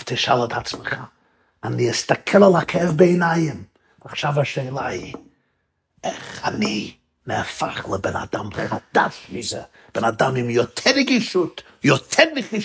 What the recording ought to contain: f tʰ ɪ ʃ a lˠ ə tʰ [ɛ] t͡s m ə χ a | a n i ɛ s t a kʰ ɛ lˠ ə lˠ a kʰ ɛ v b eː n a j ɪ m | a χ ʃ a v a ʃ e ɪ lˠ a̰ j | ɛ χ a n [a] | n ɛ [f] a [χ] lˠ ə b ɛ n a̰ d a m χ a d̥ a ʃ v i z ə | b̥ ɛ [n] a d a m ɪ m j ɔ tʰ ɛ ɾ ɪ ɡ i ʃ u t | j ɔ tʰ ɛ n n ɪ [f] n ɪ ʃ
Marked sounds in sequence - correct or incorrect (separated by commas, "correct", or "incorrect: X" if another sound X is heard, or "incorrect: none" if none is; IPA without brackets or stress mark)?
incorrect: a, incorrect: i, correct, correct, correct, incorrect: χ